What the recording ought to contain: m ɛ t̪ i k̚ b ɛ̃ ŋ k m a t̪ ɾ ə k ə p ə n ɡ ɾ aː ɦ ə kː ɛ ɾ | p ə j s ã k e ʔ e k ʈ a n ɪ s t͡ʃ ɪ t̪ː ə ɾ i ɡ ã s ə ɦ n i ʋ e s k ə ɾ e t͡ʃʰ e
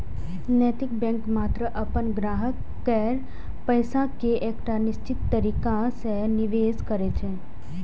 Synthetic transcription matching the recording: n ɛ t̪ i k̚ b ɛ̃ ŋ k m a t̪ ɾ ə ʔ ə p ə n ɡ ɾ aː ɦ ə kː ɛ ɾ | p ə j s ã k e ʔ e k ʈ a n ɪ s t͡ʃ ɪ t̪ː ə ɾ i k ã s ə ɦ n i ʋ e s k ə ɾ e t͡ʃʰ e